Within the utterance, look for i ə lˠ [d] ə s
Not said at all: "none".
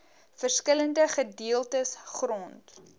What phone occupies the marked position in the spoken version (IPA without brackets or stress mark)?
t